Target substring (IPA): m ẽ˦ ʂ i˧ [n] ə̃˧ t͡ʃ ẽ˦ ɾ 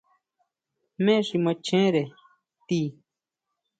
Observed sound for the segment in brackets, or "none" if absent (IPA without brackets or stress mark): m